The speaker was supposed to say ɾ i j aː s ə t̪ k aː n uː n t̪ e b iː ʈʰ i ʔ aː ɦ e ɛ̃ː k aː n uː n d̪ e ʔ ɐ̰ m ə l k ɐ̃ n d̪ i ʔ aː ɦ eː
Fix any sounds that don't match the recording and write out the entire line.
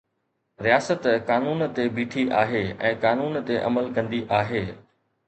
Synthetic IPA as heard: ɾ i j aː s ə t̪ k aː n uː n t̪ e b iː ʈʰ i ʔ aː ɦ e ɛ̃ː k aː n uː n t̪ e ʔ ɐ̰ m ə l k ɐ̃ n d̪ i ʔ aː ɦ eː